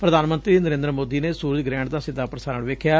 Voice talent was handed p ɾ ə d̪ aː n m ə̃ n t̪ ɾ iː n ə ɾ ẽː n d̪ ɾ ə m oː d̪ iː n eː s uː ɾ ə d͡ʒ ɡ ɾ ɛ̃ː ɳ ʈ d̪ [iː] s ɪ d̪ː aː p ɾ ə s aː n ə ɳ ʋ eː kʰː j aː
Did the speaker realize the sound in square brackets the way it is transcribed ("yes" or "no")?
no